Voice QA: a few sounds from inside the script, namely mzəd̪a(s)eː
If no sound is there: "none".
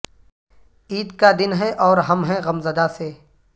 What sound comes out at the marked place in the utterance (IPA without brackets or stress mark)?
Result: s